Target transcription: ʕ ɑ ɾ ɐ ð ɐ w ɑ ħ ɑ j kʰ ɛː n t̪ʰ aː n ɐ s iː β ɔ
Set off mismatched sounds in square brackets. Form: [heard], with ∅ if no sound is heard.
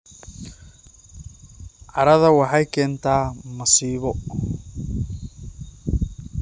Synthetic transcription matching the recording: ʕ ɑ ɾ ɐ ð ɐ w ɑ ħ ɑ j kʰ ɛː n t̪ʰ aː [m] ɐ s iː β ɔ

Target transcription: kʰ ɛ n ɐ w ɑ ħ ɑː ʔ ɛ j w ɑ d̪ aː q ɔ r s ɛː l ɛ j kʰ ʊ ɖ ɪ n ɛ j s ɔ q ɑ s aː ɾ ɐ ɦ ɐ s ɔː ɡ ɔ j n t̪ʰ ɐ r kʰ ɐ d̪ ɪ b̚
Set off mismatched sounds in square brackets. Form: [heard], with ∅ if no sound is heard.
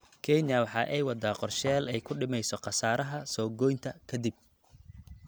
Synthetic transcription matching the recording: kʰ ɛ n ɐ w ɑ ħ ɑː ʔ ɛ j w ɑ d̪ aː q ɔ r [ʃ] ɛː l ɛ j kʰ ʊ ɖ ɪ [m] ɛ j s ɔ q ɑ s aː ɾ ɐ ɦ ɐ s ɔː ɡ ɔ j n t̪ʰ ɐ [∅] kʰ ɐ d̪ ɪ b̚

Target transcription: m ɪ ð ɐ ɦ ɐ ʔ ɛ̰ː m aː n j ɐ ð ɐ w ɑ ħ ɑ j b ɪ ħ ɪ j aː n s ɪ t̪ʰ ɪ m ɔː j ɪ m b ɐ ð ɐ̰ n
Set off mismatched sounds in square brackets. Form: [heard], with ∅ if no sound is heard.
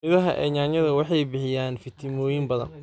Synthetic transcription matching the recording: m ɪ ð ɐ ɦ ɐ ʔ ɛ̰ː [ɲ] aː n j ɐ ð ɐ w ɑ ħ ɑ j b ɪ ħ ɪ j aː n [f] ɪ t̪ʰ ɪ m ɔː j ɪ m b ɐ ð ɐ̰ n

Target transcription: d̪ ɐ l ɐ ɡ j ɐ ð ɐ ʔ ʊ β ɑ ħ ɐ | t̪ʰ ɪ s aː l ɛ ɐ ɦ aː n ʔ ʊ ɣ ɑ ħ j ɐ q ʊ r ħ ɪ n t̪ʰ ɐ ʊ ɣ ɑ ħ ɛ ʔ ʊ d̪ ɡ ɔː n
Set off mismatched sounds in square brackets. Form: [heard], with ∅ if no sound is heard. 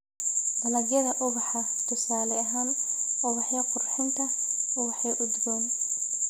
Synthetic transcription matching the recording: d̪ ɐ l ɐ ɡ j ɐ ð ɐ ʔ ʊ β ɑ ħ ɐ | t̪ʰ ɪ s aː l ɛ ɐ ɦ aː n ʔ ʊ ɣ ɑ ħ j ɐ q ʊ r ħ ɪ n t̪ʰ ɐ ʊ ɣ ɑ ħ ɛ ʔ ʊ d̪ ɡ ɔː n

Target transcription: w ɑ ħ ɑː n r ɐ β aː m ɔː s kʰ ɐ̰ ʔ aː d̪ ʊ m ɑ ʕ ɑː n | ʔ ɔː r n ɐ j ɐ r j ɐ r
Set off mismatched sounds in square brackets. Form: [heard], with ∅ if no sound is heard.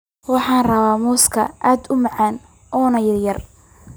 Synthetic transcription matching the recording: w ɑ ħ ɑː n r ɐ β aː m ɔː s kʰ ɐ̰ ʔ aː d̪ ʊ m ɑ ʕ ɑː n | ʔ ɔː [∅] n ɐ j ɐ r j ɐ r

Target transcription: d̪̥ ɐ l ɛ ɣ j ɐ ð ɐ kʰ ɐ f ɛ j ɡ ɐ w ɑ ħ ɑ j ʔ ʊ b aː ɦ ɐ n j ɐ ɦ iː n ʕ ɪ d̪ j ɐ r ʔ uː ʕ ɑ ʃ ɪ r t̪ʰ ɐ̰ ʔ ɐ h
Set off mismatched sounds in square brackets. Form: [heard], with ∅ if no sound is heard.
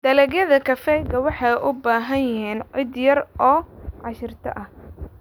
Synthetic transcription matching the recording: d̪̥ ɐ l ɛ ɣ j ɐ ð ɐ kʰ ɐ f ɛ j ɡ ɐ w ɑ ħ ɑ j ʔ ʊ b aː ɦ ɐ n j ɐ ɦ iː n ʕ ɪ d̪ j ɐ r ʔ [ɔː] ʕ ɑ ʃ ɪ r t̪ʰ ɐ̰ ʔ ɐ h

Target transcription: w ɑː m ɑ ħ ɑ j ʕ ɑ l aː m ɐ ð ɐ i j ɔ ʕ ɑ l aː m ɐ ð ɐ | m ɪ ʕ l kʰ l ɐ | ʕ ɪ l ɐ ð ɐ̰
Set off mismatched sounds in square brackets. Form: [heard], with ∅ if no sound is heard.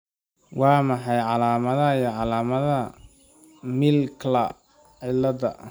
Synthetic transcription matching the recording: w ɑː m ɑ ħ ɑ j ʕ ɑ l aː m ɐ ð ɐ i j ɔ ʕ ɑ l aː m ɐ ð ɐ | m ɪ [∅] l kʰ l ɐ | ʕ ɪ l ɐ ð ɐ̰

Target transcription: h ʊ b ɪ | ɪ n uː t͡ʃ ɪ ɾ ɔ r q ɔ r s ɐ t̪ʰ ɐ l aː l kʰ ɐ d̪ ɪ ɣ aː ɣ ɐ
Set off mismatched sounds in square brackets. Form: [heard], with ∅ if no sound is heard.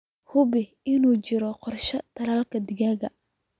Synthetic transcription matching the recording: h ʊ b ɪ | ɪ n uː t͡ʃ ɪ ɾ ɔ [∅] q ɔ r [ʃ] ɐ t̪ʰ ɐ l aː l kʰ ɐ d̪ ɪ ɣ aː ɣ ɐ

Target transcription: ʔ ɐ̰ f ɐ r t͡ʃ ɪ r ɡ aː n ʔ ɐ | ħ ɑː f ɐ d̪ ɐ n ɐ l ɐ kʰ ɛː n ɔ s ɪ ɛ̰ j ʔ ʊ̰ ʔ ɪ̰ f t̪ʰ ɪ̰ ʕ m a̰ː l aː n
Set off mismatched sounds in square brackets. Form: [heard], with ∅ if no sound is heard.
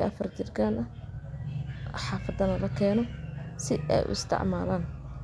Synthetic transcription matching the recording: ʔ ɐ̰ f ɐ r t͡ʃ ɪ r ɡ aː n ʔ ɐ | ħ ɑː f ɐ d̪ ɐ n ɐ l ɐ kʰ ɛː n ɔ s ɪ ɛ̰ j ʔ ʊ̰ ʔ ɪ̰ [s] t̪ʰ ɪ̰ ʕ m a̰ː l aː n

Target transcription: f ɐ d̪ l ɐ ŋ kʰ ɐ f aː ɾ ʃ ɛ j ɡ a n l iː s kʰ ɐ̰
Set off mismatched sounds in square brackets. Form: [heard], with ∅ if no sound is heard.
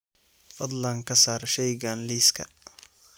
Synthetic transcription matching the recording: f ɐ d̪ l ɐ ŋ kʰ ɐ [s] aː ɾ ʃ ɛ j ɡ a n l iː s kʰ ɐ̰

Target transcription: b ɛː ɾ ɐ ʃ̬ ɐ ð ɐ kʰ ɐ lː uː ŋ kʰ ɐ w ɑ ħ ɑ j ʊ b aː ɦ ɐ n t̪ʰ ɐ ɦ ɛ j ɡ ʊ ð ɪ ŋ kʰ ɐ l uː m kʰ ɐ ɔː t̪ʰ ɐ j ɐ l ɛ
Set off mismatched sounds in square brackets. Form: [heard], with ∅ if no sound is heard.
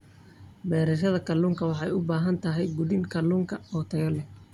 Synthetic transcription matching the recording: b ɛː ɾ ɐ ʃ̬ ɐ ð ɐ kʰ ɐ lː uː ŋ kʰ ɐ w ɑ ħ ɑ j ʊ b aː ɦ ɐ n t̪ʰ ɐ ɦ ɛ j ɡ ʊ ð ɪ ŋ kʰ ɐ l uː [ŋ] kʰ ɐ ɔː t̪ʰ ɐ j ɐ l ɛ

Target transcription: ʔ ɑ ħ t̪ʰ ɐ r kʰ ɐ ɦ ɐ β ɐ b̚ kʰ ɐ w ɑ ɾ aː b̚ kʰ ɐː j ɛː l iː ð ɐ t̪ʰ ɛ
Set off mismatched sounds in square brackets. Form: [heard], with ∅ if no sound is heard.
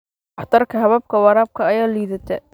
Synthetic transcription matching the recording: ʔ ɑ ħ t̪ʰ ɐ r kʰ ɐ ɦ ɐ β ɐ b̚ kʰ ɐ w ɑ ɾ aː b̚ kʰ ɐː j [aː] l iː ð ɐ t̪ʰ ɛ

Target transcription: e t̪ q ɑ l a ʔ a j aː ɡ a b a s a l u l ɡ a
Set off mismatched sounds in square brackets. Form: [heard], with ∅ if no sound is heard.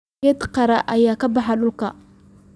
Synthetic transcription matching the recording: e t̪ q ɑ [ɾ] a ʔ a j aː [k] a b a [ħ] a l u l [k] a

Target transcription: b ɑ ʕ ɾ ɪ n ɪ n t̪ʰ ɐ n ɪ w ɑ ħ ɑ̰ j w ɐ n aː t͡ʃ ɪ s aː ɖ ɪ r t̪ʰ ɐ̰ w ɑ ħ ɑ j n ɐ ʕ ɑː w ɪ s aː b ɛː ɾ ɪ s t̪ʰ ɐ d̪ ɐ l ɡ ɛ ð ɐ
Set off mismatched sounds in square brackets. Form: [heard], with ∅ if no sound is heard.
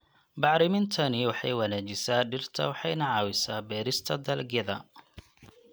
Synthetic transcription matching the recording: b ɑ ʕ ɾ ɪ [m] ɪ n t̪ʰ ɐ n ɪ w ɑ ħ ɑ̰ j w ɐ n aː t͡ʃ ɪ s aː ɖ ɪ r t̪ʰ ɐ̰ w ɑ ħ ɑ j n ɐ ʕ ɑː w ɪ s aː b ɛː ɾ ɪ s t̪ʰ ɐ d̪ ɐ l ɡ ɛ ð ɐ

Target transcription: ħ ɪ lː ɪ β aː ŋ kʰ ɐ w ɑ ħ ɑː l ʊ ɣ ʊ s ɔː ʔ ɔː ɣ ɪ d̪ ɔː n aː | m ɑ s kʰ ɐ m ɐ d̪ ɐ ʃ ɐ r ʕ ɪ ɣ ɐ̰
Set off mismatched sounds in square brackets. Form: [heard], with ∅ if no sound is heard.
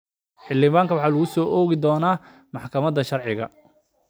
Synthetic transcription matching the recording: ħ ɪ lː ɪ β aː ŋ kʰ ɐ w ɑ ħ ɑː l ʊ ɣ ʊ s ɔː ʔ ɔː ɣ ɪ d̪ ɔː n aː | m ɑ [ħ] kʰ ɐ m ɐ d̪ ɐ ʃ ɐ r ʕ ɪ ɣ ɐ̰

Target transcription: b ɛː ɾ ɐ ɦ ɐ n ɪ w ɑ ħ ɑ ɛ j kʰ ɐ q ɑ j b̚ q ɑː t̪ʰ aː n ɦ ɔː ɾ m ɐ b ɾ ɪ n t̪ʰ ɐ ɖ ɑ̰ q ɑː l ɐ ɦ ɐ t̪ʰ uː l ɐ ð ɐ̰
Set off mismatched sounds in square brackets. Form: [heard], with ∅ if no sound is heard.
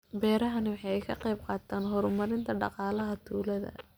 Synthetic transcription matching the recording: b ɛː ɾ ɐ ɦ ɐ n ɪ w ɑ ħ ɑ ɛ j kʰ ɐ q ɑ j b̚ q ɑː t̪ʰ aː n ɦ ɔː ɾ m ɐ [∅] ɾ ɪ n t̪ʰ ɐ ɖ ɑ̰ q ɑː l ɐ ɦ ɐ t̪ʰ uː l ɐ ð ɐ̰

